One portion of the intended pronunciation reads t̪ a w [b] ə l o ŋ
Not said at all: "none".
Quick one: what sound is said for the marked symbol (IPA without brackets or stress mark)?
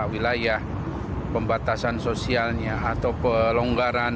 p